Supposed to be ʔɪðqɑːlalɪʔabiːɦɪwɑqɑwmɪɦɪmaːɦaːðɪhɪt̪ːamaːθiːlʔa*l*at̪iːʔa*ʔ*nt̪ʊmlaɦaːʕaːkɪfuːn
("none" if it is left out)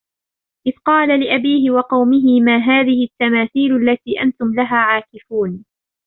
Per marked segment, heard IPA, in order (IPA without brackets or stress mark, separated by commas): lː, none